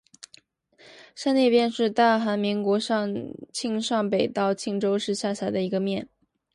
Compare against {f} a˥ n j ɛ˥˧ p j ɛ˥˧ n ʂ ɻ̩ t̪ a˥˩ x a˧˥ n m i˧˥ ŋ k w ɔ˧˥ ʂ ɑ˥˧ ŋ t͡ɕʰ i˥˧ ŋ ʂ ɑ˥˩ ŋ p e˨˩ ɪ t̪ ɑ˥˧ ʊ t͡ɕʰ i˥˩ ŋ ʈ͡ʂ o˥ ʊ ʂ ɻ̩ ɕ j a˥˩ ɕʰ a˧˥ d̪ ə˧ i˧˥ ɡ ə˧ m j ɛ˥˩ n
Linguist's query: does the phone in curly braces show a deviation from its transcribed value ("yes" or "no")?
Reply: yes